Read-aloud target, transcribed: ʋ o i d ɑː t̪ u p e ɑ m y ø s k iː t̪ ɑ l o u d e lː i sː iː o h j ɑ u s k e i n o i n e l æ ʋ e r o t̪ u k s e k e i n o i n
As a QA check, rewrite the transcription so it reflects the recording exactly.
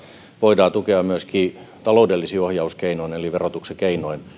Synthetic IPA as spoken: ʋ o i d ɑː t̪ u k e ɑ m y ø s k iː t̪ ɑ l o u d e lː i s iː o h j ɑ u s k e i n o i n e l i ʋ e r o t̪ u k s e k e i n o i n